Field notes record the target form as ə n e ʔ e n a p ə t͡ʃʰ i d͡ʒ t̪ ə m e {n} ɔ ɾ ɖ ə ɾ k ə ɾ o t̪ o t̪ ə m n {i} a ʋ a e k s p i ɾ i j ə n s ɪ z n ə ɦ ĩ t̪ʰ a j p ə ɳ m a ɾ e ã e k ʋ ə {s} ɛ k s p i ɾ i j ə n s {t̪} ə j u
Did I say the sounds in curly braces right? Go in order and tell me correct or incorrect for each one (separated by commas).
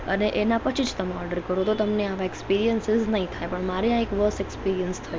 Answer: incorrect, incorrect, correct, incorrect